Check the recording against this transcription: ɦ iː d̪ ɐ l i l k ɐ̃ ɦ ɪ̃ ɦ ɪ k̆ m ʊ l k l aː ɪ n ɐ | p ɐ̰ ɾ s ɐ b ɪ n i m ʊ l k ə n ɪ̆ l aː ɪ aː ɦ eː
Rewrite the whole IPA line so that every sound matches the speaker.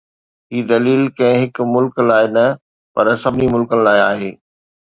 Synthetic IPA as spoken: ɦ iː d̪ ɐ l iː l k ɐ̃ ɦ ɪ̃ ɦ ɪ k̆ m ʊ l k l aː ɪ n ɐ | p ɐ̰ ɾ s ɐ b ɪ n i m ʊ l k ə n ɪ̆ l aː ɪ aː ɦ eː